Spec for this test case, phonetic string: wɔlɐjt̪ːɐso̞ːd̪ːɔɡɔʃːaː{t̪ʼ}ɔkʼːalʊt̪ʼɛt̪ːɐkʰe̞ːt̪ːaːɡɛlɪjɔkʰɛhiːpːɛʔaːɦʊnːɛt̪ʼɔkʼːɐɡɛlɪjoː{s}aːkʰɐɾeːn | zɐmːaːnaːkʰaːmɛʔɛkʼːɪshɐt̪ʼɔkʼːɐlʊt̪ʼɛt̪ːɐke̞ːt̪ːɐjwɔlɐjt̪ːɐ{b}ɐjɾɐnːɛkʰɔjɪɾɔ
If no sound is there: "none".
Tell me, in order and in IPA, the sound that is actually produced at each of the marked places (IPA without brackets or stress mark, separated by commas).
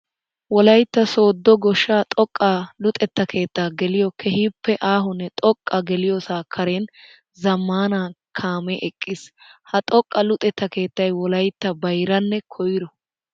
t̪ʼ, s, b